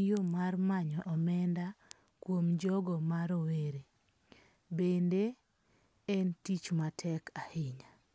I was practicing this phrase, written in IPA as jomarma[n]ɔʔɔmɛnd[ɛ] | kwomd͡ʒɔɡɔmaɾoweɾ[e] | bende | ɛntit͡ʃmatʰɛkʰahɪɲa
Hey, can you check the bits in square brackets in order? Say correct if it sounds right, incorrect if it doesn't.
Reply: incorrect, incorrect, correct

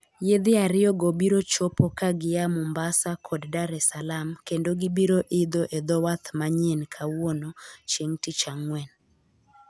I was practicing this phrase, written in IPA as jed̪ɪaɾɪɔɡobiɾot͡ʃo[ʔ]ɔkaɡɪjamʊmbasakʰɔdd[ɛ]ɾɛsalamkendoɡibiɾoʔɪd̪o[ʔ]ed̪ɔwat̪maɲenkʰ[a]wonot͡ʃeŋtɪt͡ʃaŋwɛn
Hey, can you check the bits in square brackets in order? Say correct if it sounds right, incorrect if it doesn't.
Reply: incorrect, incorrect, correct, correct

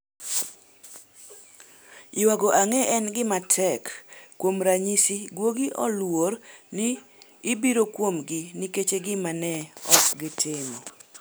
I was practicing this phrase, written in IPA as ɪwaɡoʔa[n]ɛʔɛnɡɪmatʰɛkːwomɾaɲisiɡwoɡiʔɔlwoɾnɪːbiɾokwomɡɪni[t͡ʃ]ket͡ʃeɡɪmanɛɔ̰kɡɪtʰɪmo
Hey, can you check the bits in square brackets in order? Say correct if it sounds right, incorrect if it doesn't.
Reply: incorrect, incorrect

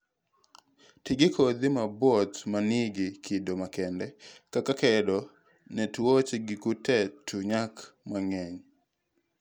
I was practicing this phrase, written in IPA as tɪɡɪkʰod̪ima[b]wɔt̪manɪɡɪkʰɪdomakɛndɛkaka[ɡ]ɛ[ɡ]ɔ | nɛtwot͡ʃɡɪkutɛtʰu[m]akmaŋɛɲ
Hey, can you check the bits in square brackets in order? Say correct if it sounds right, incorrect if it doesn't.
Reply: correct, incorrect, incorrect, incorrect

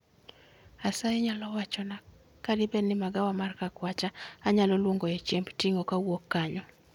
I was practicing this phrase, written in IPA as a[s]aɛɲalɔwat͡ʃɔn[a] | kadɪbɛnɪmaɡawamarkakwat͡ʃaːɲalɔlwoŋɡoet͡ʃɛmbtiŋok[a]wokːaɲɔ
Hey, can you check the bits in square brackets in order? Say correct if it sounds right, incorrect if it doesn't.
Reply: correct, correct, correct

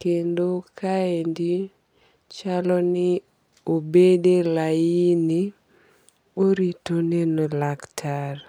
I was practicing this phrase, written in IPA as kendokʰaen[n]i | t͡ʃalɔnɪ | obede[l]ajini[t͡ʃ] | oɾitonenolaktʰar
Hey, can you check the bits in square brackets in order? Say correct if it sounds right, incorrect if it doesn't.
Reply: incorrect, correct, incorrect

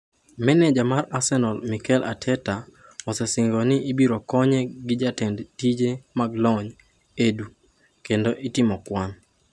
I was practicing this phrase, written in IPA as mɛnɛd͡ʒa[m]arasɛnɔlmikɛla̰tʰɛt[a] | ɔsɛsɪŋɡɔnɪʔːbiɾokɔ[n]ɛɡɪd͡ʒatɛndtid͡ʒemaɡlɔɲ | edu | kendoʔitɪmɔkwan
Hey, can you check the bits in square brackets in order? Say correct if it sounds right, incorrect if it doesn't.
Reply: correct, correct, incorrect

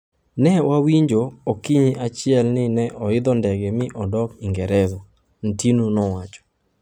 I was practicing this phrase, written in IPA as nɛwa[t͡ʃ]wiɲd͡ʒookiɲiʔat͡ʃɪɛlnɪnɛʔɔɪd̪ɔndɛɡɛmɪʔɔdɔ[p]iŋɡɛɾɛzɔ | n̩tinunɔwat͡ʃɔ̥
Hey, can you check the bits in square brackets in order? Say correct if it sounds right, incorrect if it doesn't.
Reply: incorrect, incorrect

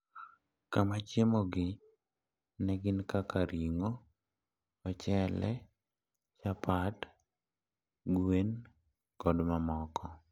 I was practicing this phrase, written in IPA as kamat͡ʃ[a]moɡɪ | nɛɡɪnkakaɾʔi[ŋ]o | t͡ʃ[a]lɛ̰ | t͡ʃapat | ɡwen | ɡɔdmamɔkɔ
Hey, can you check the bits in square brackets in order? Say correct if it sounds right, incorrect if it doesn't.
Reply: incorrect, correct, incorrect

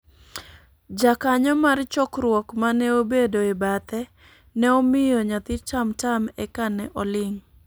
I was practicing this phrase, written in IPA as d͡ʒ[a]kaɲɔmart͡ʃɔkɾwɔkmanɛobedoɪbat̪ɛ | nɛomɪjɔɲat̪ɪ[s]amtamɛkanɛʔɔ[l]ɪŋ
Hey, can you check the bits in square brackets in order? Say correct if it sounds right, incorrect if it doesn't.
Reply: correct, incorrect, correct

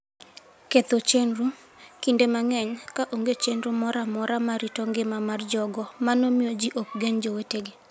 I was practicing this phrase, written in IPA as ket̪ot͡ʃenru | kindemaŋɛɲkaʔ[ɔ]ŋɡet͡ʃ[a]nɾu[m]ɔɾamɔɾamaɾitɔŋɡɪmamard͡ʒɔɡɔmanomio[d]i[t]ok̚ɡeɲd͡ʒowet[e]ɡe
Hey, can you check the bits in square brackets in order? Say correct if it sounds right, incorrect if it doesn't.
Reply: incorrect, incorrect, correct, incorrect, incorrect, correct

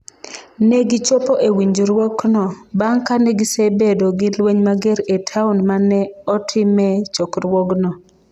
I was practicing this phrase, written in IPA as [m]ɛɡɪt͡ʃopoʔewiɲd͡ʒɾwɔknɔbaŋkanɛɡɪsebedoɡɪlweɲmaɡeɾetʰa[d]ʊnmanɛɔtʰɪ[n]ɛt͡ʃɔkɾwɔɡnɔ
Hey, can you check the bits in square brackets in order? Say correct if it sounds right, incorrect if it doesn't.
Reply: incorrect, incorrect, incorrect

